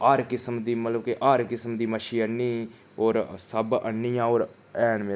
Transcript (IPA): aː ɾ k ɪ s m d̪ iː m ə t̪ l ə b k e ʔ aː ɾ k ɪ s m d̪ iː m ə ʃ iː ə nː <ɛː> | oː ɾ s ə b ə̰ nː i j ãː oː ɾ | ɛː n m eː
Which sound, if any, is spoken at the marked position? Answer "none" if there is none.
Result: iː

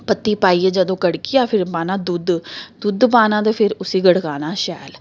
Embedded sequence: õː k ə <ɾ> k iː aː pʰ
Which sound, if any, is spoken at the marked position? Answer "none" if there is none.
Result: ɽ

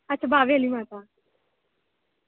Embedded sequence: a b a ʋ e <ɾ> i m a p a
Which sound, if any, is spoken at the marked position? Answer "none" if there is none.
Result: l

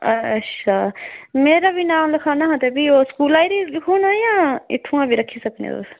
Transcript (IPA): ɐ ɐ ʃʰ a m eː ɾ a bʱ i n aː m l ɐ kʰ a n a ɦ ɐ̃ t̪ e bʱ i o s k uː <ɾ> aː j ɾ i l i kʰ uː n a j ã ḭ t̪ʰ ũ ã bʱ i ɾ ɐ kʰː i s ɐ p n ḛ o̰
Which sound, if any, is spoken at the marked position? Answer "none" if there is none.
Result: l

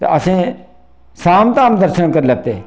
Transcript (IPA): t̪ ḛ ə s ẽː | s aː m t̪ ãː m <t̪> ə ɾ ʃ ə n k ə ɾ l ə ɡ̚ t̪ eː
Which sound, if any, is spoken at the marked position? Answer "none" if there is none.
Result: d̪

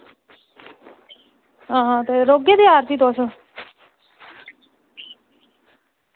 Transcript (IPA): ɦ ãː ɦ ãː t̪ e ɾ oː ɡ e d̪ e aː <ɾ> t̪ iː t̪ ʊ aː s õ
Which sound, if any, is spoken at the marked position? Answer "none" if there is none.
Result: ɾ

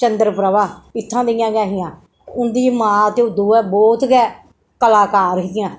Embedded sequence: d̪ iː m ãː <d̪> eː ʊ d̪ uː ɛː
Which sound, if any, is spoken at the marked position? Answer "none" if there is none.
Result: t̪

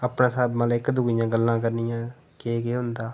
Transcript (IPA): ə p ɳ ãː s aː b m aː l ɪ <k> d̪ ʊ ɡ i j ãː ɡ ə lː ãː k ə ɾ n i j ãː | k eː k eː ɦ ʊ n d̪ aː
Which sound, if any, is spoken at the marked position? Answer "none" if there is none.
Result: k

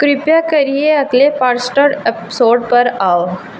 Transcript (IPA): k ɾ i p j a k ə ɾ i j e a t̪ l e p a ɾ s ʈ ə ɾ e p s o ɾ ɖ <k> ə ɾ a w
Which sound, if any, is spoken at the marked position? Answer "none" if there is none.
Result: p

